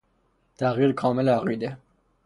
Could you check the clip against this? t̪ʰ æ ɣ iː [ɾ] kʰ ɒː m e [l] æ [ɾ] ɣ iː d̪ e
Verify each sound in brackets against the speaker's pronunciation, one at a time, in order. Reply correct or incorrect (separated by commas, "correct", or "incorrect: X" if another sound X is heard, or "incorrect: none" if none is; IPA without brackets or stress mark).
correct, correct, incorrect: none